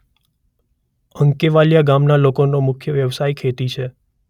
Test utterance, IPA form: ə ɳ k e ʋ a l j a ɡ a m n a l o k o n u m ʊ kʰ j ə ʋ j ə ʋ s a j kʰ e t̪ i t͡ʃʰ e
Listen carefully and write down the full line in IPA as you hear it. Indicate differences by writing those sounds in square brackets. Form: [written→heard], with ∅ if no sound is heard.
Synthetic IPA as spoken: ə [ɳ→ŋ] k e ʋ a l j a ɡ a m n a l o k o n [u→o] m ʊ kʰ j ə ʋ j ə ʋ s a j kʰ e t̪ i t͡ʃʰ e